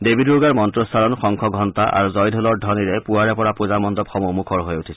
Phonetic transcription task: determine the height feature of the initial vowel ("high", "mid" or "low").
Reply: mid